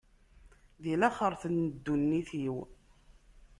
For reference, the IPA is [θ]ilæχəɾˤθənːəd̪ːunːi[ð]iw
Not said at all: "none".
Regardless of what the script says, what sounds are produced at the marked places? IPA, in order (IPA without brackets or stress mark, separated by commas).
ð, θ